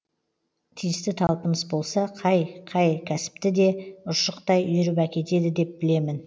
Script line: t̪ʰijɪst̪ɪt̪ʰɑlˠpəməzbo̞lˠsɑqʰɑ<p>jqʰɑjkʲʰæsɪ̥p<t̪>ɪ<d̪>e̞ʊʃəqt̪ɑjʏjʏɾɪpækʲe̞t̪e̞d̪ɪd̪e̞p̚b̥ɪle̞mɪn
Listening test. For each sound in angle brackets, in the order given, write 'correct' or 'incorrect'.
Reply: incorrect, correct, correct

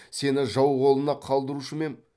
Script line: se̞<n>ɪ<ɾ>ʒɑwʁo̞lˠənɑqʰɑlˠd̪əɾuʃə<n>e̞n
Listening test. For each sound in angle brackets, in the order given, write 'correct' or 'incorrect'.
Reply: correct, incorrect, incorrect

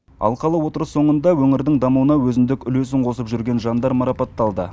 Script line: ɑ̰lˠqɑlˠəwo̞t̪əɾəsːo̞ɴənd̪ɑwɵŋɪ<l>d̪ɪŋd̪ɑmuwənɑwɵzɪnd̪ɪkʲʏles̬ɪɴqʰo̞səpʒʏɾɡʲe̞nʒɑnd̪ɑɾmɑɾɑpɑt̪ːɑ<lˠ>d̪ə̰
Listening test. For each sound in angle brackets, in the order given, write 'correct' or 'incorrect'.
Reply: incorrect, correct

